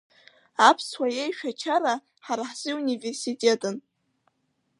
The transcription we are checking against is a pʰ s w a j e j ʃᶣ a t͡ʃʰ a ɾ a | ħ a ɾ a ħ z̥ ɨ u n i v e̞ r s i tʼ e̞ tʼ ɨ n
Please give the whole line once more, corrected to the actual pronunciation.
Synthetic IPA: a pʰ s w a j e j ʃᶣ a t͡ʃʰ a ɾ a | ħ a ɾ a ħ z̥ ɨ u n i v e̞ r s i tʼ e̞ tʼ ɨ n